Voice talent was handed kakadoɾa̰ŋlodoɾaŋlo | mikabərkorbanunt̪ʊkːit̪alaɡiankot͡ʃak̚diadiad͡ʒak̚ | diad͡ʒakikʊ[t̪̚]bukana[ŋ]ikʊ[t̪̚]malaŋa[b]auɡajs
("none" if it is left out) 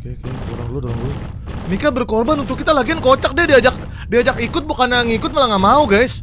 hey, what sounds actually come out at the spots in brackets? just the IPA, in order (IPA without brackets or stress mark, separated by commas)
t̪̚, ŋ, t̪̚, m